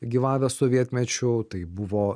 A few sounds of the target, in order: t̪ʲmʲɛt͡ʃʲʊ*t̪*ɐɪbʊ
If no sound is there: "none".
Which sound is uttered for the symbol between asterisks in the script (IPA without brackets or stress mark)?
t̪